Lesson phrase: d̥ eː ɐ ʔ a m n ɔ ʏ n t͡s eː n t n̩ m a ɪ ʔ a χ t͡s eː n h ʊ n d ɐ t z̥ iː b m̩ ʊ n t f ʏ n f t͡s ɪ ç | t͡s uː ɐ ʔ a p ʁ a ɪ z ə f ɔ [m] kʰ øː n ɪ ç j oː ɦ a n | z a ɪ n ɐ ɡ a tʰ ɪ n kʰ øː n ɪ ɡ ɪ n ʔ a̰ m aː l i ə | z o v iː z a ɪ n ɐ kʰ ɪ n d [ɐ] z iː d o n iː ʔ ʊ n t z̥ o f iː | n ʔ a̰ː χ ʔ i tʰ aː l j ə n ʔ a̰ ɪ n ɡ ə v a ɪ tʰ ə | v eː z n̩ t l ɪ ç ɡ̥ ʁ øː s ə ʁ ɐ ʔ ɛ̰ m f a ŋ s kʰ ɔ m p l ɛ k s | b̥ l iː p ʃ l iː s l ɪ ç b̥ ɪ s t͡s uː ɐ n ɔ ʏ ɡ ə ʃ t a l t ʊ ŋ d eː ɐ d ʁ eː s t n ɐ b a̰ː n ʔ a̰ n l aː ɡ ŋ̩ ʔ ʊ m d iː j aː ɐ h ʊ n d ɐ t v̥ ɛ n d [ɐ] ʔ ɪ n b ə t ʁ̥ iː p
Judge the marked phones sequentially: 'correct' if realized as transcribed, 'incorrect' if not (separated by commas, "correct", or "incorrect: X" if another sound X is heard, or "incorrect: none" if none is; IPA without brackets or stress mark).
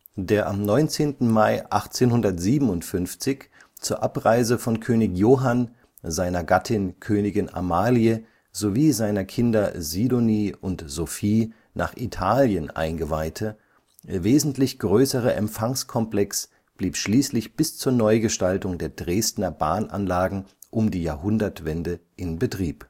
incorrect: n, correct, incorrect: ə